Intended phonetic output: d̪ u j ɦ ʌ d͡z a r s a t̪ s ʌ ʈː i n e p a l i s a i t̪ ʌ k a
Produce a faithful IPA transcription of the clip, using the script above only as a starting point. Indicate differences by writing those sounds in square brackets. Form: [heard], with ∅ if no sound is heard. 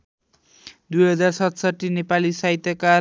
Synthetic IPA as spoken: d̪ u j ɦ ʌ d͡z a r s [ʌ] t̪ s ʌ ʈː i n e p a l i s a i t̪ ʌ k a

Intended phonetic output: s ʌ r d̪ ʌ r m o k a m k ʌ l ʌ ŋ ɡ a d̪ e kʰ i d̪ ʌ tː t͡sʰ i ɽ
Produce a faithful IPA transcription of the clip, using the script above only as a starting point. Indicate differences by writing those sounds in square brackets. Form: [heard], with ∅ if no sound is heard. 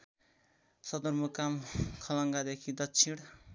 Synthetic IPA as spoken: s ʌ [∅] d̪ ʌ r m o k a m [kʰ] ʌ l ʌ ŋ ɡ a d̪ e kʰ i d̪ ʌ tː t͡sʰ i ɽ

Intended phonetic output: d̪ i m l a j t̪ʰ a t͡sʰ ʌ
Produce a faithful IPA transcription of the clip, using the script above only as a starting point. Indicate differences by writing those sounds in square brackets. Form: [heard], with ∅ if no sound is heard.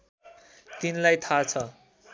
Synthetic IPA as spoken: [t̪] i [n] l a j t̪ʰ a t͡sʰ ʌ

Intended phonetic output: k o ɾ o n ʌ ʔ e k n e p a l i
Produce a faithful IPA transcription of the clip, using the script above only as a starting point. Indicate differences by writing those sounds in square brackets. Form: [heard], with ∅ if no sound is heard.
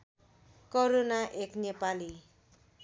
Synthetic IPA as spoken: k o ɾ o n [a] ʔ e k n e p a l i

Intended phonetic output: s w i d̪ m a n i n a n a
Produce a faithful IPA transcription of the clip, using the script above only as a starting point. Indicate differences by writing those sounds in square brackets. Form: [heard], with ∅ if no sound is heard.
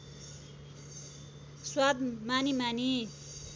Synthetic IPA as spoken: s w [a] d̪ m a n i [m] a n [i]

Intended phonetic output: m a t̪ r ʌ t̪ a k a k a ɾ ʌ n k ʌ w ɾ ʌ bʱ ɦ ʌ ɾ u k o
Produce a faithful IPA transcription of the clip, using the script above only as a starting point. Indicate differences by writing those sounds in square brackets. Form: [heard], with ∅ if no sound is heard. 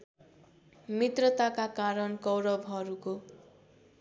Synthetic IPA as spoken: m [i] t̪ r ʌ t̪ a k a k a ɾ ʌ n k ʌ w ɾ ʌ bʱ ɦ ʌ ɾ u k o

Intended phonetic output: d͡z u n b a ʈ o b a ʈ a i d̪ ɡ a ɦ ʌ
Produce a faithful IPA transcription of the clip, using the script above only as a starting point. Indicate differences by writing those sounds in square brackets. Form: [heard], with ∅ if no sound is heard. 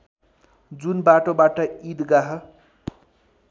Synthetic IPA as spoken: d͡z u n b a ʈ o b a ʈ [ʌ] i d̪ ɡ a ɦ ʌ

